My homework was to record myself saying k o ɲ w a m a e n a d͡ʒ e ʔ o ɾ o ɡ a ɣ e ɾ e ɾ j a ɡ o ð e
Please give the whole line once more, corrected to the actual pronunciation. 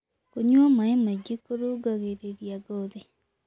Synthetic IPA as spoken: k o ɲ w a m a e m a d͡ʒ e k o ɾ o ɡ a ɣ e ɾ e ɾ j a ɡ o ð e